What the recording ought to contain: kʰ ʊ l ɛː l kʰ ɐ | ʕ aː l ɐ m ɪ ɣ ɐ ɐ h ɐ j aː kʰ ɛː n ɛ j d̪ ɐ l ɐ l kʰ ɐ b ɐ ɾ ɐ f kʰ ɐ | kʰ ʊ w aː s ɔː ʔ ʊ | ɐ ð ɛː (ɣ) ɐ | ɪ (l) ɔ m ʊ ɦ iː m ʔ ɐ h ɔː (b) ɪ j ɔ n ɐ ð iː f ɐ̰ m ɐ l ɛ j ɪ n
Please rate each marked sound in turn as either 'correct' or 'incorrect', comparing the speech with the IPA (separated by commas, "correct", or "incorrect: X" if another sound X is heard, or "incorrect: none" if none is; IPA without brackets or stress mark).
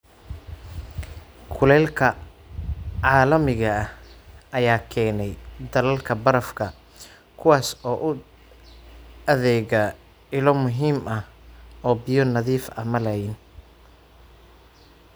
correct, correct, correct